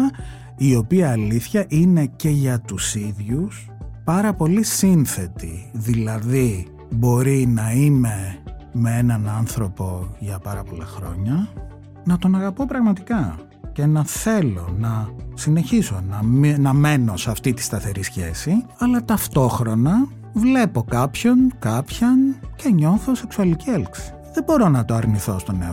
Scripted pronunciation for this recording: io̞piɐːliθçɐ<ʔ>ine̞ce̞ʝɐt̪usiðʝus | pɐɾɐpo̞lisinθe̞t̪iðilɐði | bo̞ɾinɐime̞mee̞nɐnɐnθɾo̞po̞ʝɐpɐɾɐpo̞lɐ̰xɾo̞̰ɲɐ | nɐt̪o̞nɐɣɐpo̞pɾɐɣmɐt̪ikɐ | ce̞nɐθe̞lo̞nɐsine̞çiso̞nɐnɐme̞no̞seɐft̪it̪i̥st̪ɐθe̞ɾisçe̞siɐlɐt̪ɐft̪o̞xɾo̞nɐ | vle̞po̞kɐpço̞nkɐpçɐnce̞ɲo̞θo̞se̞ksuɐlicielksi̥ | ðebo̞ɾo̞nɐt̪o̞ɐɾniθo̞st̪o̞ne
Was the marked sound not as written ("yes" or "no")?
no